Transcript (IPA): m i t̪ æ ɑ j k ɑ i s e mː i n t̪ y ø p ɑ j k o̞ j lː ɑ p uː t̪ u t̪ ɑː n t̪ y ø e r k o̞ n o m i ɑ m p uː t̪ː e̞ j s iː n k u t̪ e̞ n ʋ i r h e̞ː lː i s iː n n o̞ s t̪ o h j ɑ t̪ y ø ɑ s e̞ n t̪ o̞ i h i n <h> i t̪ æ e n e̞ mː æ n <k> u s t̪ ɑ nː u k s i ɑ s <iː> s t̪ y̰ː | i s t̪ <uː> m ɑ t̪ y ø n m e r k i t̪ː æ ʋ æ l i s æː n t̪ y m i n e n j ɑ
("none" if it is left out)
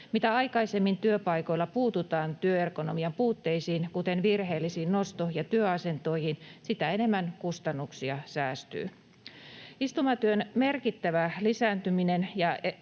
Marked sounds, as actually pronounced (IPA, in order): s, k, æː, u

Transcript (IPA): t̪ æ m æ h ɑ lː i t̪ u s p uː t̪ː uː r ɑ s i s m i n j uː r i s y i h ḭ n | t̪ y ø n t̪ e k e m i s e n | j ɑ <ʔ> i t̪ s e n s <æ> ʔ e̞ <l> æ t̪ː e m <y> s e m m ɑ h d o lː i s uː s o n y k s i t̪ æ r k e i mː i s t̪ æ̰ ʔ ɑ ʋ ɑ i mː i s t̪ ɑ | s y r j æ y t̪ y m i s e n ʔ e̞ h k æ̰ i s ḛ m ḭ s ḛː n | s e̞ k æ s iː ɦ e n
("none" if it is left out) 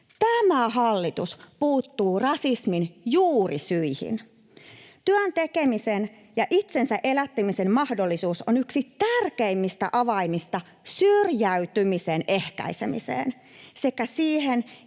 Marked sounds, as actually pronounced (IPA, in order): ʔ, æ, l, i

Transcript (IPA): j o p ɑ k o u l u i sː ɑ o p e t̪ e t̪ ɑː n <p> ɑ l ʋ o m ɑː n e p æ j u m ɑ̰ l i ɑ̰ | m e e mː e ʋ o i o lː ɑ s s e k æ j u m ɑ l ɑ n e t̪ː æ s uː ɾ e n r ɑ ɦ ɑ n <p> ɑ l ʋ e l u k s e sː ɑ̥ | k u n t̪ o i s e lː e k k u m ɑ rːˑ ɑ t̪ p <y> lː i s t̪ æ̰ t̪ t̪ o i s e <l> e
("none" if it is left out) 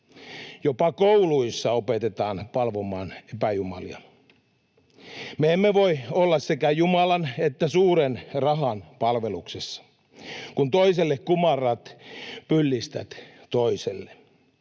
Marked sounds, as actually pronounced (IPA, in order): p, p, y, lː

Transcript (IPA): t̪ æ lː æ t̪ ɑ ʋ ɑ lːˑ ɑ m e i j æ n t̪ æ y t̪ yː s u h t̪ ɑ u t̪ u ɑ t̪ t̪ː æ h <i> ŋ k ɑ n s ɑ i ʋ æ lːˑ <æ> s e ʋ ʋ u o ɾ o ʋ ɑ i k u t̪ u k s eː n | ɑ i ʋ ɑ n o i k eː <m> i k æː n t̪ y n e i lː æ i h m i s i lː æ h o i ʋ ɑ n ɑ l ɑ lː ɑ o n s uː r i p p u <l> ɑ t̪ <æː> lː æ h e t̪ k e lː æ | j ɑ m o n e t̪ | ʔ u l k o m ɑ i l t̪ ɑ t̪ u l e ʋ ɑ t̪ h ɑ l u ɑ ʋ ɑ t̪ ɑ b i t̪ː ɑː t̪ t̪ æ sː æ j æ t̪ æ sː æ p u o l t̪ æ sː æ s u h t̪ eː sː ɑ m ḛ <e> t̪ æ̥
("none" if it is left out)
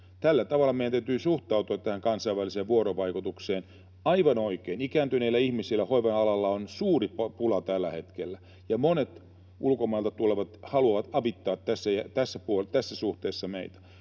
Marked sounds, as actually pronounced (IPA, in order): æ, i, n, l, æ, i

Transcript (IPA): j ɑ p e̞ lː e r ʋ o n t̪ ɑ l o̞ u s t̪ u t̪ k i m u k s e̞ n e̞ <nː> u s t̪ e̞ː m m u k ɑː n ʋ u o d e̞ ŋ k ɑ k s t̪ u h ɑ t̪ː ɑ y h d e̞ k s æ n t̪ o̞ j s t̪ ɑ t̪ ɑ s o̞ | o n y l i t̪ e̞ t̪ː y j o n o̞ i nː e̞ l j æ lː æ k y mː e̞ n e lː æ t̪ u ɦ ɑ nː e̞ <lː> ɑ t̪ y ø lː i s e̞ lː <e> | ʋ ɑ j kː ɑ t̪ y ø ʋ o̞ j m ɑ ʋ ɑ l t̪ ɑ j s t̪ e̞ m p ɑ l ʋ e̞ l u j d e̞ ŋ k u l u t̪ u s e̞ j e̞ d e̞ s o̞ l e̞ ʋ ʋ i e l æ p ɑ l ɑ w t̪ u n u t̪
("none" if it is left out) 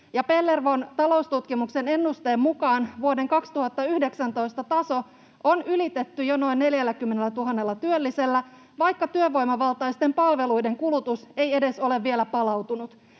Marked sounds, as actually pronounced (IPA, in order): nː, lː, æ

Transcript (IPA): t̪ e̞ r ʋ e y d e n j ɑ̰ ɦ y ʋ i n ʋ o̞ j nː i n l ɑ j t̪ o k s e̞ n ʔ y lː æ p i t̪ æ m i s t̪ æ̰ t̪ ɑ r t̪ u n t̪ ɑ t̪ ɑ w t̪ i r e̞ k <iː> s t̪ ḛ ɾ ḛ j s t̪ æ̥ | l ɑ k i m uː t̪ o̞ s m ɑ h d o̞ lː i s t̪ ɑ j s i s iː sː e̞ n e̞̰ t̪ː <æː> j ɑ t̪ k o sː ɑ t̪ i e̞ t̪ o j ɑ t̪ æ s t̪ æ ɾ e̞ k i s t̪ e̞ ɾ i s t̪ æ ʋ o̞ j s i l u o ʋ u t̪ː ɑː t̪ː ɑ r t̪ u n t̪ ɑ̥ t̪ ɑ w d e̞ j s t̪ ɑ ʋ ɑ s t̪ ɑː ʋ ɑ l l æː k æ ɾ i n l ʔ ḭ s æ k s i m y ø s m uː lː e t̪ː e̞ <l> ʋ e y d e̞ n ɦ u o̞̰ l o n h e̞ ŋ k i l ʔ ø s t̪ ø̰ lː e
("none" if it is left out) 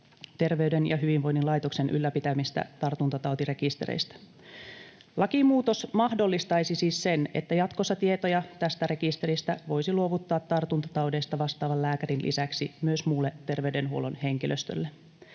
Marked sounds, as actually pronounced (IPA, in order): i, æ, r

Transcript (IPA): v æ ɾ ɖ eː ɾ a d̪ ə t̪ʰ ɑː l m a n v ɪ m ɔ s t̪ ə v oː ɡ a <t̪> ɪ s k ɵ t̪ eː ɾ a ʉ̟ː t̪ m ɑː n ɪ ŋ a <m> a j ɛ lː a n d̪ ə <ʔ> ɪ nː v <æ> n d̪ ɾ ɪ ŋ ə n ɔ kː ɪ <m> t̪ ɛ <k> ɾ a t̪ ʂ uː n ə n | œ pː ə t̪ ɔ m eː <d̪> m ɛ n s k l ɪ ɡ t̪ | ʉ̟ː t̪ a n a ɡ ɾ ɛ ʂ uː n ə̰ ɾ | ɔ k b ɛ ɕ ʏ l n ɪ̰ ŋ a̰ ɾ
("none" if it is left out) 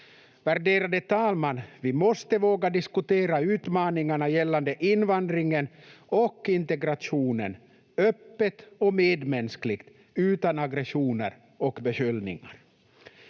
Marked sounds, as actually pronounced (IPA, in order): d̪, ɳ, ʔ, a, n, ɡ, d̪

